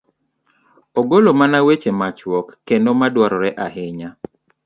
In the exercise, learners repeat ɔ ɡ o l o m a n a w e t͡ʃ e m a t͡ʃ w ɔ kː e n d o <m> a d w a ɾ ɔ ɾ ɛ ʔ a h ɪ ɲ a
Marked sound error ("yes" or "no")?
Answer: no